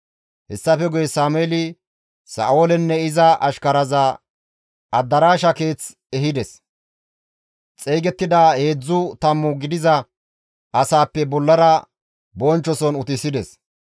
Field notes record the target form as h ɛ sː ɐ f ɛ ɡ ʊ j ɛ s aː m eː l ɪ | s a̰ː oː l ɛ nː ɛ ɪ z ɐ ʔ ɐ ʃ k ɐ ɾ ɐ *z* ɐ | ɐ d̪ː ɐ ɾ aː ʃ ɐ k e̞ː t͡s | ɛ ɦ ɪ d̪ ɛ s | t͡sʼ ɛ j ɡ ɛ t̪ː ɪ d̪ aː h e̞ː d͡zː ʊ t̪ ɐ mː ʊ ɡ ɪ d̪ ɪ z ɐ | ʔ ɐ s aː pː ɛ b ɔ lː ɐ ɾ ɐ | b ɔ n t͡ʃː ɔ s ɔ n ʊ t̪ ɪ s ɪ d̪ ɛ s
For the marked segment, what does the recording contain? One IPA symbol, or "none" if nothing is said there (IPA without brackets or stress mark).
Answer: z